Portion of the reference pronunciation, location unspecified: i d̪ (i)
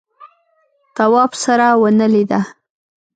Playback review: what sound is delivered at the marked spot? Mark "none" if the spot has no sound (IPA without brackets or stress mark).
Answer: a